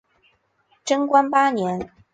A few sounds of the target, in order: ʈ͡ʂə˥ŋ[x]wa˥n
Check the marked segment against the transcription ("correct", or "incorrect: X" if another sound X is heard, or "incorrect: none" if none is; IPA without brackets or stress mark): incorrect: k